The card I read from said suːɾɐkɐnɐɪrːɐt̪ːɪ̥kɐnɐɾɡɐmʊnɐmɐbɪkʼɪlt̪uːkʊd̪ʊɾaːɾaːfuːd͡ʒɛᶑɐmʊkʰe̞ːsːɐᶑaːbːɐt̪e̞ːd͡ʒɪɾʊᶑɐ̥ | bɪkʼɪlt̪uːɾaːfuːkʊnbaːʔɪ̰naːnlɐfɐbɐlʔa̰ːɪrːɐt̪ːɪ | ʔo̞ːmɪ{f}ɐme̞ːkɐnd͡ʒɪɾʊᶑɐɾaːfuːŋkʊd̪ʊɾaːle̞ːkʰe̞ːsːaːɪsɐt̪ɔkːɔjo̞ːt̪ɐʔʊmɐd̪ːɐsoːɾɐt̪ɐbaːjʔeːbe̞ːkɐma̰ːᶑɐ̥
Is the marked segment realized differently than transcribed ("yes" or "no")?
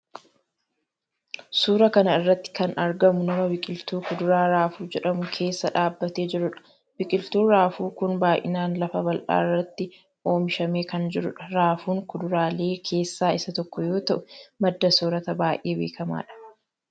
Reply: yes